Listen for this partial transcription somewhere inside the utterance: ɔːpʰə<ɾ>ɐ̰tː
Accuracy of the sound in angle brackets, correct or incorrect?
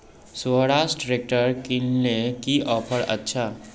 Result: correct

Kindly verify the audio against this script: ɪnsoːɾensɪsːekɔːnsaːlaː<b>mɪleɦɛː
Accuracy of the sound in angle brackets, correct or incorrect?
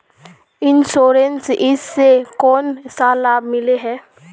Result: correct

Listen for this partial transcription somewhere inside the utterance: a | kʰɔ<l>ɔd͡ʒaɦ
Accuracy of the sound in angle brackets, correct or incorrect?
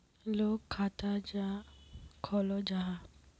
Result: correct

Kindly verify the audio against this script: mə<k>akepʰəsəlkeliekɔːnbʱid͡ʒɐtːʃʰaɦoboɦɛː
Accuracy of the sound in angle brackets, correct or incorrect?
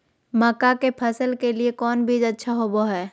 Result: correct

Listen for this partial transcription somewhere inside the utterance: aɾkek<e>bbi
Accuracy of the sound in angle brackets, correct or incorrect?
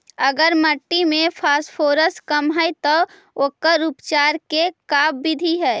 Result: incorrect: a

